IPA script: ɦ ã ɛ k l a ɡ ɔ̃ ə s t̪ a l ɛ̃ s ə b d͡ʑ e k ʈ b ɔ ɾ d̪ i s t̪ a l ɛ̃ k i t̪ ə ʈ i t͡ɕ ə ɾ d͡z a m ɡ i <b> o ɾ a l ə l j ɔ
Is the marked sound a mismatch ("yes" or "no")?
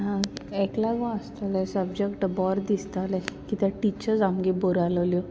no